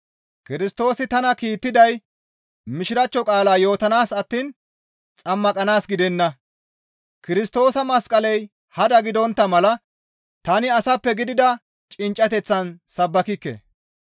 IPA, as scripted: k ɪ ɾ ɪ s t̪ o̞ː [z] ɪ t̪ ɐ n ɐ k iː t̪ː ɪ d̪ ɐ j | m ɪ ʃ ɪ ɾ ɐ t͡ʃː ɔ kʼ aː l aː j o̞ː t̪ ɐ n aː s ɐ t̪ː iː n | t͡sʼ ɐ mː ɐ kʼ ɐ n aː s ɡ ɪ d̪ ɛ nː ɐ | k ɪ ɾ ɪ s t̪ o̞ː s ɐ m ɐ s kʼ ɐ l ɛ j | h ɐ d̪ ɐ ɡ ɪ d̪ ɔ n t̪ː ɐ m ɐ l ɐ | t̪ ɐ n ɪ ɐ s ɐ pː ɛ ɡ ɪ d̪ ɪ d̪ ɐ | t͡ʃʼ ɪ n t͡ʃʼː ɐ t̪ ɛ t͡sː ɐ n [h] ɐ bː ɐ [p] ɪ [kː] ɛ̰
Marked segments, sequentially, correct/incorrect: incorrect: s, incorrect: s, incorrect: k, correct

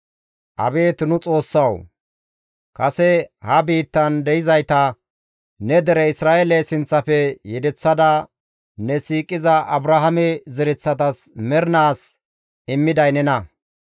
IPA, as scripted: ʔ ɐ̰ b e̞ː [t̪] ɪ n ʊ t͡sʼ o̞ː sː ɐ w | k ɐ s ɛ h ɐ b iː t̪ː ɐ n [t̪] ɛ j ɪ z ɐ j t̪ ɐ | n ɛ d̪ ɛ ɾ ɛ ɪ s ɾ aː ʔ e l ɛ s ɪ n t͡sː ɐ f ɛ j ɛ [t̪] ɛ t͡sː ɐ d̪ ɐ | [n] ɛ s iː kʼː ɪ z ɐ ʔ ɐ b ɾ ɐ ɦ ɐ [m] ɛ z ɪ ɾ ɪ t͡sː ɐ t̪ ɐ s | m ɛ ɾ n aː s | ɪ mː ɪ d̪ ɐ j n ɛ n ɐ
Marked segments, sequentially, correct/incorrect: correct, incorrect: d̪, incorrect: d̪, correct, correct

